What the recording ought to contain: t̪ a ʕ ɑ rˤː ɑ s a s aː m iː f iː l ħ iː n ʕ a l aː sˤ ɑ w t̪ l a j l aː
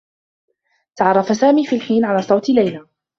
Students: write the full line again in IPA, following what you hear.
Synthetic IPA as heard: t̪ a ʕ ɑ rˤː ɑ f a s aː m iː f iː l ħ iː n ʕ a l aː sˤ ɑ w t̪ l a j l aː